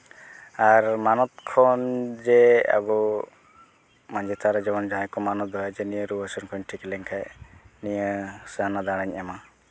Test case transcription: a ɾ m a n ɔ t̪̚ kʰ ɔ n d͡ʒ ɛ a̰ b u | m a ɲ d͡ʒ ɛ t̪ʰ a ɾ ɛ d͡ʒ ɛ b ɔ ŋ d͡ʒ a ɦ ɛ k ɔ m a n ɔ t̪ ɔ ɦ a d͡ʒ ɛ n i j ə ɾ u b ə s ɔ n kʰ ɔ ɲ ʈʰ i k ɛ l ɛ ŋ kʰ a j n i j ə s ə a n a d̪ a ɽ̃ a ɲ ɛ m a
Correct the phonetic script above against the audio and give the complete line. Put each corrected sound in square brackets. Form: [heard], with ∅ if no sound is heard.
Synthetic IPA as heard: a ɾ m a n ɔ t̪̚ kʰ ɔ n d͡ʒ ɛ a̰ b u | m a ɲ d͡ʒ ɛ t̪ʰ a ɾ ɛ d͡ʒ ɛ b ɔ [n] d͡ʒ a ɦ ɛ k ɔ m a n ɔ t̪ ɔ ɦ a d͡ʒ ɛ n i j ə ɾ u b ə s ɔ n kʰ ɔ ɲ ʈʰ i k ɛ l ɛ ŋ kʰ a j n i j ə s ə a n a d̪ a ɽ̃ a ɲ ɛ m a

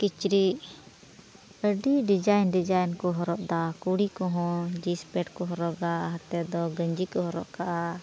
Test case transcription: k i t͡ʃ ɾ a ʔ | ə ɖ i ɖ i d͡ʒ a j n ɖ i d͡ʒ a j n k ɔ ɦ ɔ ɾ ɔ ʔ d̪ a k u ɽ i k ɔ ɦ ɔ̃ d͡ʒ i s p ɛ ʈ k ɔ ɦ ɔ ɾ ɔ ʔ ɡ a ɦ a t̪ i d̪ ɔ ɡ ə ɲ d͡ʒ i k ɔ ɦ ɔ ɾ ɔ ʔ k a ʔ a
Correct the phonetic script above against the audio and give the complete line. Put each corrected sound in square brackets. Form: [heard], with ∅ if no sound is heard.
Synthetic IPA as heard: k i t͡ʃ ɾ [i] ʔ | ə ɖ i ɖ i d͡ʒ a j n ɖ i d͡ʒ a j n k ɔ ɦ ɔ ɾ ɔ ʔ d̪ a k u ɽ i k ɔ ɦ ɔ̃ d͡ʒ i s p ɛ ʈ k ɔ ɦ ɔ ɾ ɔ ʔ ɡ a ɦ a t̪ [ɛ] d̪ ɔ ɡ ə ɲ d͡ʒ i k ɔ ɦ ɔ ɾ ɔ ʔ k a ʔ a

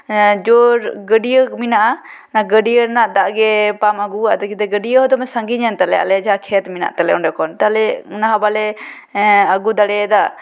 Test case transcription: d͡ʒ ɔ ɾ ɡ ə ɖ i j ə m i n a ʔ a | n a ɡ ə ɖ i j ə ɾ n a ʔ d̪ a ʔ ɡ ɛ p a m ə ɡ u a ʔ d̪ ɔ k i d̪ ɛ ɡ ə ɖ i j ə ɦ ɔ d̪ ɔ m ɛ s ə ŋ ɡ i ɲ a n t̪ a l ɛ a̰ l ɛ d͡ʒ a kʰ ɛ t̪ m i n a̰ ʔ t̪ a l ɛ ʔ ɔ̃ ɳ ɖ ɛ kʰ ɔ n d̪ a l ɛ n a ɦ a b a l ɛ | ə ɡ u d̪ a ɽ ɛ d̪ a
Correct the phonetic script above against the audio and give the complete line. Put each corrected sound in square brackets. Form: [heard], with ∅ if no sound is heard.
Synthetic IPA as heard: d͡ʒ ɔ ɾ ɡ ə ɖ i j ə m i n a ʔ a | n a ɡ ə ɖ i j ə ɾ n a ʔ d̪ a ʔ ɡ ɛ p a m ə ɡ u a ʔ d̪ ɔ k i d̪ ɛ ɡ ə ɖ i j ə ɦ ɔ d̪ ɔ m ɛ s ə ŋ ɡ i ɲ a n t̪ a l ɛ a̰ l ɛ d͡ʒ a kʰ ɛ t̪ m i n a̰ ʔ t̪ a l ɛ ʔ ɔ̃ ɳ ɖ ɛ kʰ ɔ n [t̪] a l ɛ n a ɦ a b a l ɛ | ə ɡ u d̪ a ɽ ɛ d̪ a

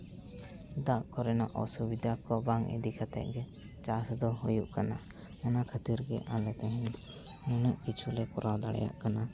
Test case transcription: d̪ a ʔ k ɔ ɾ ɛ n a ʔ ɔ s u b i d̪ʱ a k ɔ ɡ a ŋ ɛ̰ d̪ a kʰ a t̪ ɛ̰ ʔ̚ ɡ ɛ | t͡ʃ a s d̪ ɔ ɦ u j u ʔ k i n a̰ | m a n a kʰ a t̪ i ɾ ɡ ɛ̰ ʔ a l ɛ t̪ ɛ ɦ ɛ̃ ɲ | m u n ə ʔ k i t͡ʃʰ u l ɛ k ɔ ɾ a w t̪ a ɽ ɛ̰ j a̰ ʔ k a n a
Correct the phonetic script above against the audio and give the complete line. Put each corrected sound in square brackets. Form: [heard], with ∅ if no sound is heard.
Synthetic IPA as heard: d̪ a ʔ k ɔ ɾ ɛ n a ʔ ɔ s u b i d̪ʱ a k ɔ [b] a ŋ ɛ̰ d̪ [i] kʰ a t̪ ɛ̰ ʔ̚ ɡ ɛ | t͡ʃ a s d̪ ɔ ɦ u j u ʔ k [a] n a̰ | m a n a kʰ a t̪ i ɾ ɡ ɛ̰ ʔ a l ɛ t̪ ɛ ɦ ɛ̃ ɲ | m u n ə ʔ k i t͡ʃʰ u l ɛ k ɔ ɾ a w [d̪] a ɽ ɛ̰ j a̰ ʔ k a n a

